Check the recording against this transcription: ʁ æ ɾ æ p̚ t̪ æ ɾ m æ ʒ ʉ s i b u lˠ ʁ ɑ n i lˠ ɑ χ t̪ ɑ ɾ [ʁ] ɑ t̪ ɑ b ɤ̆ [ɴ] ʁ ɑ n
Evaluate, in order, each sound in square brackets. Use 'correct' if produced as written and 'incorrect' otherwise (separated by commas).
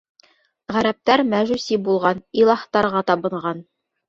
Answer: correct, correct